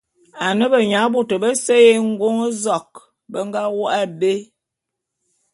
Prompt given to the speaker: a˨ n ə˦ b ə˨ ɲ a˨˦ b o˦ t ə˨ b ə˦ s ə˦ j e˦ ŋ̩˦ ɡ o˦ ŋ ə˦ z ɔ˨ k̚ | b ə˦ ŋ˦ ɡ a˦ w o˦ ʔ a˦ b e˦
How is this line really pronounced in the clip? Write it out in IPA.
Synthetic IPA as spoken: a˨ n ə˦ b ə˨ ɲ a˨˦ b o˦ t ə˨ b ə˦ s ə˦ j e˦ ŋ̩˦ ɡ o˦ ŋ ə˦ z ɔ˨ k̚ | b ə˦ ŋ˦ ɡ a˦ w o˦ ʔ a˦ b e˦